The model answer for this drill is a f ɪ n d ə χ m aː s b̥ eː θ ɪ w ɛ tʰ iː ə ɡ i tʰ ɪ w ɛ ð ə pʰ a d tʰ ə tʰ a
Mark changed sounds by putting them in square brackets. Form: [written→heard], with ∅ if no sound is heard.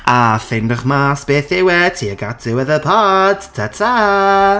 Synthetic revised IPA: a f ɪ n d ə χ m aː s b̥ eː θ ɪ w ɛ tʰ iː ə ɡ [i→a] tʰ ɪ w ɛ ð ə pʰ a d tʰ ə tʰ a

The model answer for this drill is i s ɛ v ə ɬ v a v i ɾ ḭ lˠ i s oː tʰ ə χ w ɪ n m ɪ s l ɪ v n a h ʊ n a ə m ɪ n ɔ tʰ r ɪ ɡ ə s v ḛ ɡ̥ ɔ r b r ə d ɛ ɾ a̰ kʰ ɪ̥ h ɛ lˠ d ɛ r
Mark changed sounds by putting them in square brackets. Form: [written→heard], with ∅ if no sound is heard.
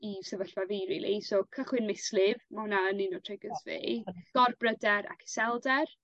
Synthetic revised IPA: i s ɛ v ə ɬ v a v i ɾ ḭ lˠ i s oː [tʰ→kʰ] ə χ w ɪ n m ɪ s l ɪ v [n→m] a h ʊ n a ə [m→n] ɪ n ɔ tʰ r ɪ ɡ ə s v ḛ ɡ̥ ɔ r b r ə d ɛ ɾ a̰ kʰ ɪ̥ [h→s] ɛ lˠ d ɛ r

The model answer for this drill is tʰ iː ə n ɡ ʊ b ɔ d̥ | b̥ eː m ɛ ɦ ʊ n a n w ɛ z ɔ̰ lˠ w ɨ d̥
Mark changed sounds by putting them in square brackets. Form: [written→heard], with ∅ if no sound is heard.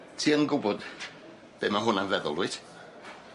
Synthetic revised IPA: tʰ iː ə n ɡ ʊ b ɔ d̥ | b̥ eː m [ɛ→a] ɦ ʊ n a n [w→v] ɛ [z→ð] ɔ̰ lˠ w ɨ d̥

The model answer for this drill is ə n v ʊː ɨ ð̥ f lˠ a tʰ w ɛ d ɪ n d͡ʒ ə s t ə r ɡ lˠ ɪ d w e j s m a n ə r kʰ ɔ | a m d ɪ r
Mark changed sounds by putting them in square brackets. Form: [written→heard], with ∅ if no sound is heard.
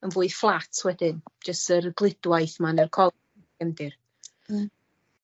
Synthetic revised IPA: ə n v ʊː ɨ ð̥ f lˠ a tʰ w ɛ d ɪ n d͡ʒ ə s t ə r ɡ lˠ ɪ d w [e→a] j [s→θ] m a n ə r kʰ ɔ | [a→ɛ] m d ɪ r

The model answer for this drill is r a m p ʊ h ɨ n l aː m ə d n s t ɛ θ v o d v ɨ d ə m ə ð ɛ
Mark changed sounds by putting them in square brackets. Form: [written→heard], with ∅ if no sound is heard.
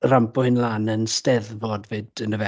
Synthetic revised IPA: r a m p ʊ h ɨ n l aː [m→n] ə [d→∅] n s t ɛ [θ→ð] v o d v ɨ d ə [m→n] ə [ð→v] ɛ

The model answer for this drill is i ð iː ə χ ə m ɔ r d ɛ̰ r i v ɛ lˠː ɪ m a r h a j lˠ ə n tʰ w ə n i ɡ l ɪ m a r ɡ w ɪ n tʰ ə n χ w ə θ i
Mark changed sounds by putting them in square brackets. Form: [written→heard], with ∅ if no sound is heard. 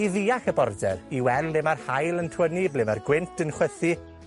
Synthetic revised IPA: i ð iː [ə→a] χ ə [m→b] ɔ r d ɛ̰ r i [v→w] ɛ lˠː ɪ m a r h a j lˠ ə n tʰ w ə n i [ɡ→b] l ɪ m a r ɡ w ɪ n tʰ ə n χ w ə θ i

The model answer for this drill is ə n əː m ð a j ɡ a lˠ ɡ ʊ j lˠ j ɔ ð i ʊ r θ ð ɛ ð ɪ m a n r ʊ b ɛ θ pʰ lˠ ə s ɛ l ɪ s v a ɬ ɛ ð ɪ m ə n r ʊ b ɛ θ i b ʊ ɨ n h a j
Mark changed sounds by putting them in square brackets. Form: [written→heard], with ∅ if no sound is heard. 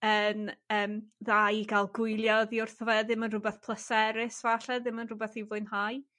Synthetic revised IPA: ə n əː m ð a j ɡ a lˠ ɡ ʊ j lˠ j ɔ ð i ʊ r θ [ð→v] ɛ ð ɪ m [a→ə] n r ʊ b ɛ θ pʰ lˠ ə s ɛ [l→ɾ] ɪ s v a ɬ ɛ ð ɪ m ə n r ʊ b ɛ θ i [b→v] ʊ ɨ n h a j

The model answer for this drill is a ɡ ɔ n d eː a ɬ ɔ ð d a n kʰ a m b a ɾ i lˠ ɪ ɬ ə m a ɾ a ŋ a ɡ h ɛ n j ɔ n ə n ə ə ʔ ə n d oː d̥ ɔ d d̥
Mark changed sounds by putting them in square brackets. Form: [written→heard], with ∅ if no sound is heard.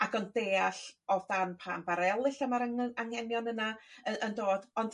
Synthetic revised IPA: a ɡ ɔ n d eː a ɬ ɔ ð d a n [kʰ→pʰ] a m b a ɾ [i→ɛ] lˠ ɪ ɬ ə m a ɾ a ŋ a [ɡ→ŋ] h ɛ n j ɔ n ə n [ə→a] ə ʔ ə n d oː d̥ ɔ [d→n] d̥

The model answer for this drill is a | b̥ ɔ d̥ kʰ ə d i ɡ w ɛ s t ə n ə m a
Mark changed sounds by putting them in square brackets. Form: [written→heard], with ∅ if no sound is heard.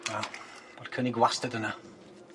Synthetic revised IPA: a | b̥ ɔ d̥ kʰ ə [d→n] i ɡ w [ɛ→a] s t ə [n→d] ə [m→n] a

